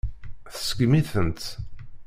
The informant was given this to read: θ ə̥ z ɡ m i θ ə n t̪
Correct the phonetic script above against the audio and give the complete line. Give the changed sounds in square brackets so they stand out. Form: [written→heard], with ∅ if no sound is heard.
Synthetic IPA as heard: θ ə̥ [z→s] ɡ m i θ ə n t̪